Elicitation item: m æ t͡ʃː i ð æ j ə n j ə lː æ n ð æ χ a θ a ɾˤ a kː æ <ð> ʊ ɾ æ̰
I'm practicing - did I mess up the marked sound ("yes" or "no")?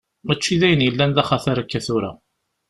yes